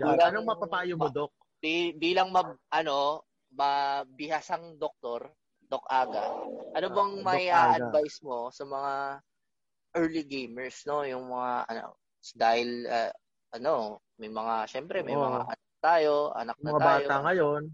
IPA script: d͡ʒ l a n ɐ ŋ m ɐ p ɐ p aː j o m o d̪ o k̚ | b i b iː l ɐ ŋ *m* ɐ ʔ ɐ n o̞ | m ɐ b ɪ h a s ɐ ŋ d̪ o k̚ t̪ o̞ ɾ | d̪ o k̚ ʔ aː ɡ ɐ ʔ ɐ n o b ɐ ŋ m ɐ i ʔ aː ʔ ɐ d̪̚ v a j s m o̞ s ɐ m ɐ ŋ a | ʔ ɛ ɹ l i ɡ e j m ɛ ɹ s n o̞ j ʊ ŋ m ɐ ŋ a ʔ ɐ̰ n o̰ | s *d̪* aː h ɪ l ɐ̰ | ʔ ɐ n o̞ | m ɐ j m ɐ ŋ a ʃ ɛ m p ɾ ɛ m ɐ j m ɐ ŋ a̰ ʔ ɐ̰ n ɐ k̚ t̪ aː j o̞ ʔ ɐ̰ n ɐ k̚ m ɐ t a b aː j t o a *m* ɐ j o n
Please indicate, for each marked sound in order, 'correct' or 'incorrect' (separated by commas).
correct, correct, incorrect